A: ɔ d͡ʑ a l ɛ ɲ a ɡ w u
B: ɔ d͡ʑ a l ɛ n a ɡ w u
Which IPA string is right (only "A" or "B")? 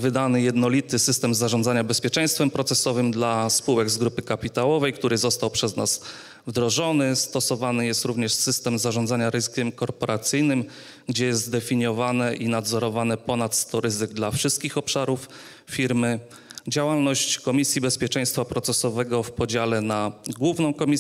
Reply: B